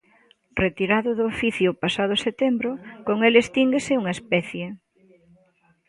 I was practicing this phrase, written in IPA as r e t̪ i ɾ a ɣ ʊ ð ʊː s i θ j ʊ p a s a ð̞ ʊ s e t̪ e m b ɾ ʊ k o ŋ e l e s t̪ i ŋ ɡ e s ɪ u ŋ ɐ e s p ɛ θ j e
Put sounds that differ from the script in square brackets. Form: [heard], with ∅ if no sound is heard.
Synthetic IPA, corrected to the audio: r e t̪ i ɾ a [ð] ʊ ð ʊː [f] i θ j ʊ p a s a ð̞ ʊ s e t̪ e m b ɾ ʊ k o ŋ e l e s t̪ i ŋ ɡ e s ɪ u ŋ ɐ e s p ɛ θ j e